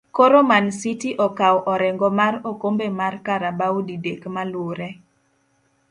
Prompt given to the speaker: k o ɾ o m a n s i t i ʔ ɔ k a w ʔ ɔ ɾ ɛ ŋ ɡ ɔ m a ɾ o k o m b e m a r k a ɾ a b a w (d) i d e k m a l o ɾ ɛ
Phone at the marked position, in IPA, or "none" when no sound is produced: d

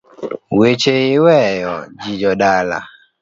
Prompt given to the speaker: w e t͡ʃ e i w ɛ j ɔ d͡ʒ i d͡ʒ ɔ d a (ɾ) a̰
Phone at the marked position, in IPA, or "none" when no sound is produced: l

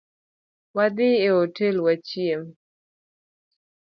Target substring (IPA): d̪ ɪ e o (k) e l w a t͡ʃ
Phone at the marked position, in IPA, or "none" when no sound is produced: t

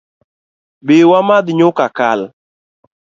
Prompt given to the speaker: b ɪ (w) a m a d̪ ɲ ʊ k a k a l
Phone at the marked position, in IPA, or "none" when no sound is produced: w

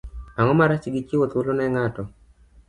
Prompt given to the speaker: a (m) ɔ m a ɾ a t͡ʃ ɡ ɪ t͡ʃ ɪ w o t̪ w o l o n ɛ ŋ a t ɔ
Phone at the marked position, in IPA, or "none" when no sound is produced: ŋ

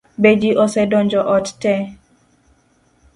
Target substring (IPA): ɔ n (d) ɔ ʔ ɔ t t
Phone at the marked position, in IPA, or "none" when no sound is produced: d͡ʒ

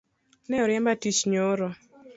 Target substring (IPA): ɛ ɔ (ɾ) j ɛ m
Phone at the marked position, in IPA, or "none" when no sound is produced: ɾ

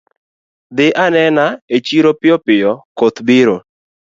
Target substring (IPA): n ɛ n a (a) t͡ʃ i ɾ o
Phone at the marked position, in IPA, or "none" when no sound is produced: e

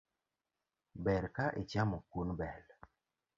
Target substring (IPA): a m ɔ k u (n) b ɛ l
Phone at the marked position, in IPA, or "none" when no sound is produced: n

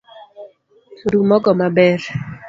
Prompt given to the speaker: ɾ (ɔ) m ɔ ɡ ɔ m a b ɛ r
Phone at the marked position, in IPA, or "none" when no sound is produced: u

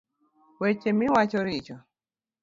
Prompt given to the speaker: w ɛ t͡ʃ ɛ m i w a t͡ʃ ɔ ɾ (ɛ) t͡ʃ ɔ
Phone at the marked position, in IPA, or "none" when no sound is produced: i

